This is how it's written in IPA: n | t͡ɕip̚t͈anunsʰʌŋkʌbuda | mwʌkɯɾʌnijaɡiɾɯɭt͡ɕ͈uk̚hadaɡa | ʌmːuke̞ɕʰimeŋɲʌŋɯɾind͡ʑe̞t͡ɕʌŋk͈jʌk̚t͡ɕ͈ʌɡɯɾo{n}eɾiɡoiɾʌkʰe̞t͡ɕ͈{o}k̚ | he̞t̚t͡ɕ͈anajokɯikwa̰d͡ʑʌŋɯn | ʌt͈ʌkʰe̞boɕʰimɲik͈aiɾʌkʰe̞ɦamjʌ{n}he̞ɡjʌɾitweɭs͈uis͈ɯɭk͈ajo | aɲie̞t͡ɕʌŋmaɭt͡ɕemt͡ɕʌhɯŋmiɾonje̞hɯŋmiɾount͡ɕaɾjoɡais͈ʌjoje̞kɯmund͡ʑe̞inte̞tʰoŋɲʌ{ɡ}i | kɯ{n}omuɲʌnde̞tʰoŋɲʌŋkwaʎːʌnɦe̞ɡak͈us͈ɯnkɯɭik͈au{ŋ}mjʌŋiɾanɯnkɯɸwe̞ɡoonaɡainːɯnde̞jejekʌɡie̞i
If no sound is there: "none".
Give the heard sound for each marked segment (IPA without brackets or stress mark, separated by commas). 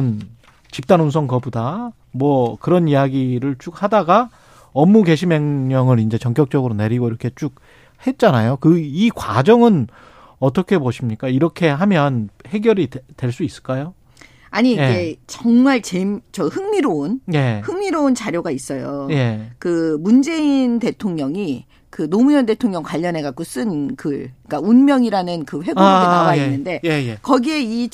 n, u, n, ŋ, n, n